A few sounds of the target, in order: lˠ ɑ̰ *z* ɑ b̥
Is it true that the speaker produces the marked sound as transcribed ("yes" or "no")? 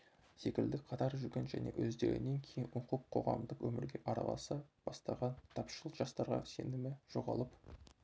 no